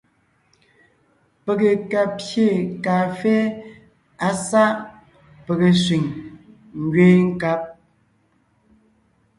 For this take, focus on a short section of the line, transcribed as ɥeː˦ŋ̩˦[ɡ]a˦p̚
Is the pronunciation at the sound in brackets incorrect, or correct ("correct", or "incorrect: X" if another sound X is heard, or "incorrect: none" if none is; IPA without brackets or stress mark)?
incorrect: k